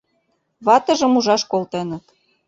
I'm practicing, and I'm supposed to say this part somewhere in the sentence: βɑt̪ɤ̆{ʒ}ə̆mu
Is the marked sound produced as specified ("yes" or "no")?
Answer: yes